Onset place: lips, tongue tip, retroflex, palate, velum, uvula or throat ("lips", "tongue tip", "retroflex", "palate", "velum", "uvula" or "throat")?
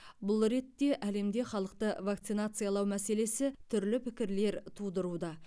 lips